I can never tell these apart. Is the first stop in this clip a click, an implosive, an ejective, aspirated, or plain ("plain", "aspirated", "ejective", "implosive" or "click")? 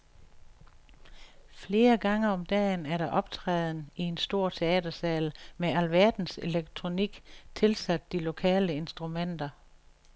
plain